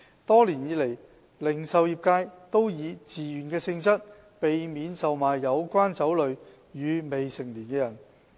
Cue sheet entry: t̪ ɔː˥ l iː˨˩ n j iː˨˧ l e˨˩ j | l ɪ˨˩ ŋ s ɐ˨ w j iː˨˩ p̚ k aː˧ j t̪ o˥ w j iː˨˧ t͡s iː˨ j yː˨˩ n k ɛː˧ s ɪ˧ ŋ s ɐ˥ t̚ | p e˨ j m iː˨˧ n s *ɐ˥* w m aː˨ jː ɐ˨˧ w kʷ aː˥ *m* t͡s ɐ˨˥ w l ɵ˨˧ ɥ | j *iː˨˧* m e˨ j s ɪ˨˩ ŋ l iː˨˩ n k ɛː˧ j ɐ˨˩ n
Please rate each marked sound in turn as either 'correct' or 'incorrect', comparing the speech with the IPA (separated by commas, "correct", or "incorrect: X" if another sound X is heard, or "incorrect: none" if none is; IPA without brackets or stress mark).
incorrect: ɐ˨, incorrect: n, incorrect: yː˨˧